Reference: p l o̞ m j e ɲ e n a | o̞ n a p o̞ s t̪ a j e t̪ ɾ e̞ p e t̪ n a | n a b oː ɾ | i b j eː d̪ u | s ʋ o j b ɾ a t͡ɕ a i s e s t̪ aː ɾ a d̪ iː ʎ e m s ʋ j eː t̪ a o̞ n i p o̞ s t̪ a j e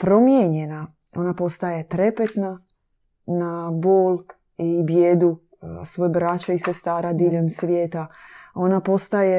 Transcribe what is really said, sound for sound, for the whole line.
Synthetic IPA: p ɾ o̞ m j e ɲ e n a | o̞ n a p o̞ s t̪ a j e t̪ ɾ e̞ p e t̪ n a | n a b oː l | i b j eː d̪ u | s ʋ o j b ɾ a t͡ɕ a i s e s t̪ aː ɾ a d̪ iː ʎ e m s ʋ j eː t̪ a o̞ n a p o̞ s t̪ a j e